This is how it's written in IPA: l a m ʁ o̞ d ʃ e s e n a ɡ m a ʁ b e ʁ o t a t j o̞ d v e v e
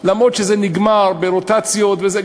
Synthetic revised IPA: l a m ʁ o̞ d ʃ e z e n i ɡ m a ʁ b e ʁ o t a t͡s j o̞ t v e z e